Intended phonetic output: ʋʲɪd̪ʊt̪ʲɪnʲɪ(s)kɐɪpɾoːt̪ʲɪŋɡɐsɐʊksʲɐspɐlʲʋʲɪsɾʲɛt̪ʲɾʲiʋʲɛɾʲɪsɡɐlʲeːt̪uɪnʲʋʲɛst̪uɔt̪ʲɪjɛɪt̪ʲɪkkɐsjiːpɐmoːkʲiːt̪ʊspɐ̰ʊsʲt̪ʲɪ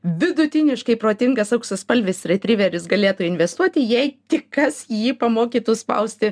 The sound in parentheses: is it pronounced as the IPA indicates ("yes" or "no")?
no